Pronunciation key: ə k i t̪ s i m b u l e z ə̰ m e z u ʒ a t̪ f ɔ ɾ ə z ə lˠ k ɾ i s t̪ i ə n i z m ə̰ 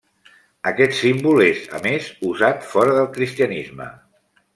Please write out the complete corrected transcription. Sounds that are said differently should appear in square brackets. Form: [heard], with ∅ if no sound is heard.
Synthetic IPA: ə k [ɛ] t̪ s i m b u l e z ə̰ m e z u [z] a t̪ f ɔ ɾ ə [ð] ə lˠ k ɾ i s t̪ i ə n i z m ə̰